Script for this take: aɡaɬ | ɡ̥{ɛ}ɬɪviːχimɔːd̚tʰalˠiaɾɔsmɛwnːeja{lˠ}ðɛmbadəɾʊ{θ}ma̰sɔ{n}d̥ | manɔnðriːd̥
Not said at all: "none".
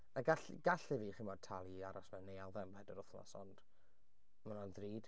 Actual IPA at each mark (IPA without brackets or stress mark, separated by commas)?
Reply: a, lˠ, θ, n